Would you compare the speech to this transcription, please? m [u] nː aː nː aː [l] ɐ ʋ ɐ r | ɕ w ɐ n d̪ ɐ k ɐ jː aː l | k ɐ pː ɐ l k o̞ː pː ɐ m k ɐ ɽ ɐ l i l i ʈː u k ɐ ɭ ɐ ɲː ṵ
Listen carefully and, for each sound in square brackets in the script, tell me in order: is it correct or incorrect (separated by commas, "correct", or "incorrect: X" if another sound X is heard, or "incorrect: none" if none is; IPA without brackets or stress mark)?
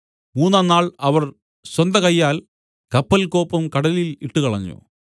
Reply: incorrect: uː, incorrect: ɭ